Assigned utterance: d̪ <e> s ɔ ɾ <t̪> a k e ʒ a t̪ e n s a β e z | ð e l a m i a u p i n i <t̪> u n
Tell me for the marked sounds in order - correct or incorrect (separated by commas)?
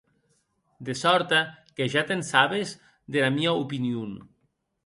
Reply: correct, correct, incorrect